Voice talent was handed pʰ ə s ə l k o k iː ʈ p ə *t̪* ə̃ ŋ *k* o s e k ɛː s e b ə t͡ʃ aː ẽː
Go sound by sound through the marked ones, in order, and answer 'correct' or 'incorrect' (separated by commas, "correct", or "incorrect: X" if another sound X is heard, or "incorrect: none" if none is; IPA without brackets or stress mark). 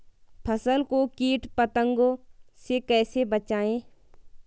correct, incorrect: ɡ